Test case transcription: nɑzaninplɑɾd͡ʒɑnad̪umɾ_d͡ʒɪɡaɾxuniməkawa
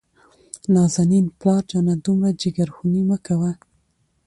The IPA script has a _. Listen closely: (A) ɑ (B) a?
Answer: B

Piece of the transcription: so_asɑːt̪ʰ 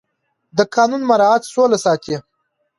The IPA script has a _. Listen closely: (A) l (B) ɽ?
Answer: A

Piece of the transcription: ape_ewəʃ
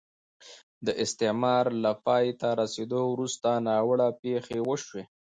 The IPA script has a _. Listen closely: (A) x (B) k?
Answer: A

